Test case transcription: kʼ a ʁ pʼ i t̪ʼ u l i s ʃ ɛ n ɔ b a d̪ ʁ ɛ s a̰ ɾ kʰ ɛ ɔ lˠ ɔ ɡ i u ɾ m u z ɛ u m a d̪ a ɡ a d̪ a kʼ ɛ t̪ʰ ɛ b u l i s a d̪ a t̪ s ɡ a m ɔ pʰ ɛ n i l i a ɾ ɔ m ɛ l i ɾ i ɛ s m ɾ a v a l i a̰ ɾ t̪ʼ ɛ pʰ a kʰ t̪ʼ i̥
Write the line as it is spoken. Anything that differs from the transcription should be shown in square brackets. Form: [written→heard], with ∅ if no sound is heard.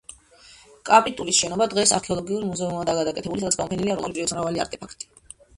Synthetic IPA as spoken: kʼ a [ʁ→∅] pʼ i t̪ʼ u l i s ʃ ɛ n ɔ b a d̪ ʁ ɛ s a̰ ɾ kʰ ɛ ɔ lˠ ɔ ɡ i u ɾ m u z ɛ u m a d̪ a ɡ a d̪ a kʼ ɛ t̪ʰ ɛ b u l i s a d̪ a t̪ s ɡ a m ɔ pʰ ɛ n i l i a ɾ ɔ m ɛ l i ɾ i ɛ s m ɾ a v a l i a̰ ɾ t̪ʼ ɛ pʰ a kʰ t̪ʼ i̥